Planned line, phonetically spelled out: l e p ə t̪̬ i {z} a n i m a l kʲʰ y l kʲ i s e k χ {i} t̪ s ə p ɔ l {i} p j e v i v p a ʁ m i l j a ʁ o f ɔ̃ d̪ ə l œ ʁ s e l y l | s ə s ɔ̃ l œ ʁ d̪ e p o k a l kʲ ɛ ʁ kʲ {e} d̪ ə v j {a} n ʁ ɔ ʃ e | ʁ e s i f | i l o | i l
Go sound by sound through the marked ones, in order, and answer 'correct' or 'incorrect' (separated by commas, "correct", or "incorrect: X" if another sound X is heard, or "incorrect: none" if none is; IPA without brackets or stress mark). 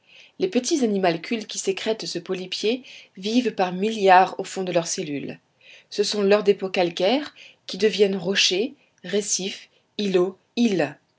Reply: correct, incorrect: ɛ, correct, incorrect: i, incorrect: ɛ